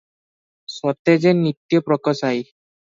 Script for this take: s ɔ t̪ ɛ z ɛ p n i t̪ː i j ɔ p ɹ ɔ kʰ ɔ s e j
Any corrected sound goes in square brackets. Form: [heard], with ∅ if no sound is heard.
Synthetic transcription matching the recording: s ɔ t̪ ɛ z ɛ [∅] n i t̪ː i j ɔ p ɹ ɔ [k] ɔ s [a] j